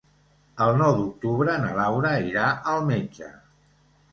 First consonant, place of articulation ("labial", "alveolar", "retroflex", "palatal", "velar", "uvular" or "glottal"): alveolar